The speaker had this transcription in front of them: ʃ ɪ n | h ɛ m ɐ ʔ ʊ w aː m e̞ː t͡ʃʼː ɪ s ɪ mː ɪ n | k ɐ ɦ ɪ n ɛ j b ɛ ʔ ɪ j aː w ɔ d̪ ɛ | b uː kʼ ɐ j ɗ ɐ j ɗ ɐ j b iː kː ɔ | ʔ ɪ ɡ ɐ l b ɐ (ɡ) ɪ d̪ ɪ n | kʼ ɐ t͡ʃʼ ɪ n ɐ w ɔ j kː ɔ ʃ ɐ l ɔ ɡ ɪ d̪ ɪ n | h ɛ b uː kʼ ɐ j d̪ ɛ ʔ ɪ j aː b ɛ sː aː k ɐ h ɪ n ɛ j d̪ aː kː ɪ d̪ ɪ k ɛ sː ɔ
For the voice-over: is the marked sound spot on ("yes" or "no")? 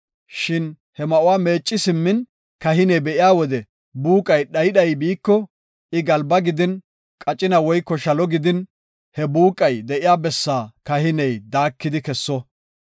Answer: yes